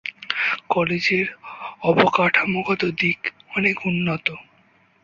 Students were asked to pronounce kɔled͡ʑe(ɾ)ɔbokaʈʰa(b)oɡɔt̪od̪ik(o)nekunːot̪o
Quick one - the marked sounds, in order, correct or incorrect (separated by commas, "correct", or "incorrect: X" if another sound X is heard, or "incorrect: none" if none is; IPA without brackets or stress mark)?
correct, incorrect: m, incorrect: ɔ